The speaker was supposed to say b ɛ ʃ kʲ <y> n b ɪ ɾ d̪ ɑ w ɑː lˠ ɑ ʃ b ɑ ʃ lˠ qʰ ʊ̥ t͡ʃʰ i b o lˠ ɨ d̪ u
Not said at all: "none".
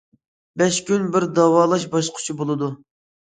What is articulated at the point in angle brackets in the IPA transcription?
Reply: y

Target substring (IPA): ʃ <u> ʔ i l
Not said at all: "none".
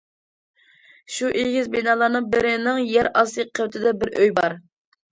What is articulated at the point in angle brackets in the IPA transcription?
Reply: u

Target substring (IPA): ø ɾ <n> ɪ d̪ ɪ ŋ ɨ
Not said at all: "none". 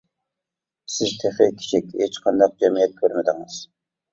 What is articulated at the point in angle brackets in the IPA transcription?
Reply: m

